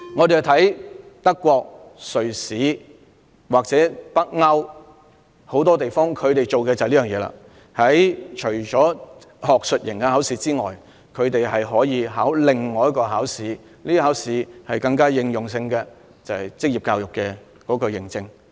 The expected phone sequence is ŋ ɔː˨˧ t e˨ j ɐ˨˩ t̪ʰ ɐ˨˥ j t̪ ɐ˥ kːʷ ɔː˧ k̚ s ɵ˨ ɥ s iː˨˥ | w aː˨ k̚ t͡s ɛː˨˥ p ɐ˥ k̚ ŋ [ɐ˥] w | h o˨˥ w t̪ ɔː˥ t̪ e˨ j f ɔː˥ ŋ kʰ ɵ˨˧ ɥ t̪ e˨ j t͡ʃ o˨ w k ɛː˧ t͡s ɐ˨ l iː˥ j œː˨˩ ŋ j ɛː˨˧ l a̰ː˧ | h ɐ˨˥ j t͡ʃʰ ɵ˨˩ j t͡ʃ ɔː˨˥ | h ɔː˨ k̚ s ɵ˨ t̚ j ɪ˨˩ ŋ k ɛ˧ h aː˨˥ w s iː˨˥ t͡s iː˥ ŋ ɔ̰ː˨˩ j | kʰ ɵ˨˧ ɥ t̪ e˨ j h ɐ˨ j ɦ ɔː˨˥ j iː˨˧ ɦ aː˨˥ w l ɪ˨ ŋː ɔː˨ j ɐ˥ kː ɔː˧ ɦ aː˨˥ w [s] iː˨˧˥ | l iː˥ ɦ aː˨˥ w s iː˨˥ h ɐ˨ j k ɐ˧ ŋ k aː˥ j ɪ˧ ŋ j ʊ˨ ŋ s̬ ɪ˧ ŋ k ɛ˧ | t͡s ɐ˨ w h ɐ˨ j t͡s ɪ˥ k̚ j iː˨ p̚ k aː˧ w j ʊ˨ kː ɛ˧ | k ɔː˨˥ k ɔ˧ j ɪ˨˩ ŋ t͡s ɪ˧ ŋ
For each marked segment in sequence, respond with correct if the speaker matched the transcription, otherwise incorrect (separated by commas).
correct, correct